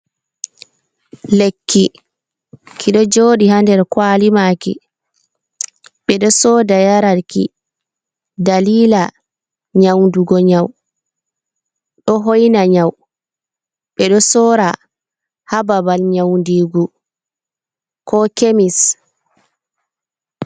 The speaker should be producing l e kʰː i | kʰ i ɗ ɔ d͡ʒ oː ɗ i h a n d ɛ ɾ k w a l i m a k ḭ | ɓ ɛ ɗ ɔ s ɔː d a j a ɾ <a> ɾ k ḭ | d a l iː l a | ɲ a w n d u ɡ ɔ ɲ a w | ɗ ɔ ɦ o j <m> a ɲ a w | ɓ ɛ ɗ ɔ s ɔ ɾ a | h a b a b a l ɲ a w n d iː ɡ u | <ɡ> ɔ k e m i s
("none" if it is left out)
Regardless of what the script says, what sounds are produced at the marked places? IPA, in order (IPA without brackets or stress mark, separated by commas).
a, n, k